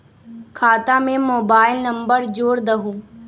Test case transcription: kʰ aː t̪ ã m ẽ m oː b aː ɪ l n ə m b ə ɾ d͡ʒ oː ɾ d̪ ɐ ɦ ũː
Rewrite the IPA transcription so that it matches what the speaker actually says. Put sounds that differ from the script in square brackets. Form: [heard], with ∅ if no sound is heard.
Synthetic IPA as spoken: kʰ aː t̪ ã m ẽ m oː b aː ɪ l n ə m b ə ɾ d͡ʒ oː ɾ d̪ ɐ ɦ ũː